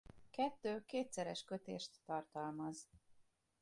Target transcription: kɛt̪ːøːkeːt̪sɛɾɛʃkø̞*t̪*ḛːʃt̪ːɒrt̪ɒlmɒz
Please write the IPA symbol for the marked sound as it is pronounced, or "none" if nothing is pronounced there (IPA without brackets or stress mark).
t̪